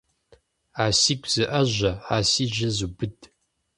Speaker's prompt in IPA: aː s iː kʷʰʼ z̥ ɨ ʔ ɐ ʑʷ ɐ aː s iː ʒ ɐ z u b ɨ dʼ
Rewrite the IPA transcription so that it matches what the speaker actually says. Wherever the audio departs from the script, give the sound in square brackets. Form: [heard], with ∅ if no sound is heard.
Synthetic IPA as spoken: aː s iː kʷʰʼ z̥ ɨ ʔ ɐ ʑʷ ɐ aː s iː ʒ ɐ z u b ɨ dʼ